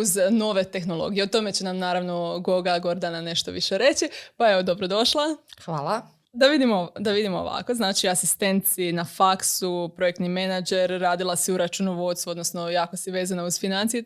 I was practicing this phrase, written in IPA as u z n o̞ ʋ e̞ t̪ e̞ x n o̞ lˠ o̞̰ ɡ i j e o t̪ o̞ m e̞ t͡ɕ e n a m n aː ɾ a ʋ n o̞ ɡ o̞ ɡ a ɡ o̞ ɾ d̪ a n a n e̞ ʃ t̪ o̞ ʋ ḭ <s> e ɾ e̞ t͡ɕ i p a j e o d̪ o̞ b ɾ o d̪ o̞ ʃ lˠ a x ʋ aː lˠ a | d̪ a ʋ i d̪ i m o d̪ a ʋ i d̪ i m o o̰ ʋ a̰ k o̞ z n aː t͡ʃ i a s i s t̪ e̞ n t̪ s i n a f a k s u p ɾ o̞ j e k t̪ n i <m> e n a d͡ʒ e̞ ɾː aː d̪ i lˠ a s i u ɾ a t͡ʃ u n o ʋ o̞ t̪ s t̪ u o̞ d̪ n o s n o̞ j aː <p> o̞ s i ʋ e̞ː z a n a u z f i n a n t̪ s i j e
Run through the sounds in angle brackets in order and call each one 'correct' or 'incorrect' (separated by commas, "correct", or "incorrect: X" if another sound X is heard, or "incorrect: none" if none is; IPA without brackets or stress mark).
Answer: incorrect: ʃ, correct, incorrect: k